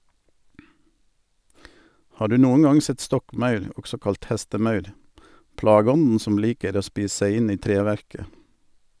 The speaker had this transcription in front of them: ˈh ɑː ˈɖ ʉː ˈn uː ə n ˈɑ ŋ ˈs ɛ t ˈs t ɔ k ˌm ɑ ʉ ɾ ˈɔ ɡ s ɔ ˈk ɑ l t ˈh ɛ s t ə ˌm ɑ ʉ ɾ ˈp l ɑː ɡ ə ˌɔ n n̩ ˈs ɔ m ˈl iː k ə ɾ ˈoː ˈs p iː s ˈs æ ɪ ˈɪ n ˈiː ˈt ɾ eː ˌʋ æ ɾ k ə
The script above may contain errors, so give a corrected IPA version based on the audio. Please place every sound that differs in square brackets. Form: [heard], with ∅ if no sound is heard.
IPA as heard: ˈh ɑː ˈɖ ʉː ˈn uː ə n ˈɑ ŋ ˈs ɛ t ˈs t ɔ k ˌm ɑ ʉ ɾ ˈɔ ɡ s ɔ ˈk ɑ l t ˈh ɛ s t ə ˌm ɑ ʉ ɾ ˈp l ɑː ɡ ə ˌɔ n n̩ ˈs ɔ m ˈl iː k ə ɾ ˈoː ˈs p iː s ˈs æ ɪ ˈɪ n ˈiː ˈt ɾ eː ˌʋ æ ɾ k ə